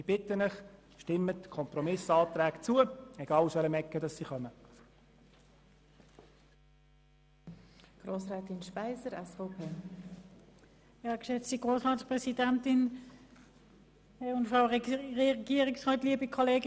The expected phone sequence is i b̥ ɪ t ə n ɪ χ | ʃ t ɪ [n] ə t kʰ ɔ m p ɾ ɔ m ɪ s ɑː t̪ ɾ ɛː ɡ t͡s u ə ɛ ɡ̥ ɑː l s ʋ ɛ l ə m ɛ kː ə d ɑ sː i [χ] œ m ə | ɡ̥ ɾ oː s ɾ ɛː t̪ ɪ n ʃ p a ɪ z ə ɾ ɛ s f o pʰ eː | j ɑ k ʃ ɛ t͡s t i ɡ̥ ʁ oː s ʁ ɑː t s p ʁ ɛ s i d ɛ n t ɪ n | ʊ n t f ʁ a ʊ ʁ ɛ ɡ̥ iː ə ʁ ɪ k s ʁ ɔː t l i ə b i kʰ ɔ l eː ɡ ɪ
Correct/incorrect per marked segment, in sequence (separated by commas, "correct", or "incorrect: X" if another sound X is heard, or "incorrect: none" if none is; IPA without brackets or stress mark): incorrect: m, correct